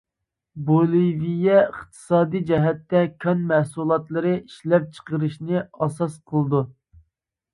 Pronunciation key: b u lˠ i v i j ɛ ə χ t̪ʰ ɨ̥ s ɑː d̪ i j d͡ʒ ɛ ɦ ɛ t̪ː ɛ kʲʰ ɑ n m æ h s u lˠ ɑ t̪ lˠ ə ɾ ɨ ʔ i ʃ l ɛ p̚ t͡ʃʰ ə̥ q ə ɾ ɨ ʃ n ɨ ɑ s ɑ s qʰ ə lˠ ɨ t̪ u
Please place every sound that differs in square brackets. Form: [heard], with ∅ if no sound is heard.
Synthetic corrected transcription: b [o] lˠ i v i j ɛ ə χ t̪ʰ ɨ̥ s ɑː d̪ i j d͡ʒ ɛ ɦ ɛ t̪ː ɛ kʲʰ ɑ n m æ h s u lˠ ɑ t̪ lˠ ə ɾ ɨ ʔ i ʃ l ɛ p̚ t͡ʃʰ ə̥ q ə ɾ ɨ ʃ n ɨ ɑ s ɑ s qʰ ə lˠ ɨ [d̪] u